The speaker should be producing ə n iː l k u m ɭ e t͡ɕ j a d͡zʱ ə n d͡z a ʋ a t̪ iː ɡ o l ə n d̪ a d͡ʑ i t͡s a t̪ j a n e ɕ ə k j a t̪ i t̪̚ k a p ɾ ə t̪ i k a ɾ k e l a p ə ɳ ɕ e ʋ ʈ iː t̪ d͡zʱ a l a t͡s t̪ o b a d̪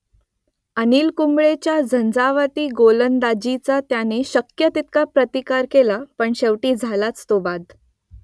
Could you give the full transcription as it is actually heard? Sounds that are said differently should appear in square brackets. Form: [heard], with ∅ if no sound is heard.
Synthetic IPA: ə n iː l k u m ɭ e t͡ɕ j a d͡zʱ ə n d͡z a ʋ a t̪ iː ɡ o l ə n d̪ a d͡ʑ i t͡s a t̪ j a n e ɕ ə k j [ə] t̪ i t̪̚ k a p ɾ ə t̪ i k a ɾ k e l a p ə ɳ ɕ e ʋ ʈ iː [∅] d͡zʱ a l a t͡s t̪ o b a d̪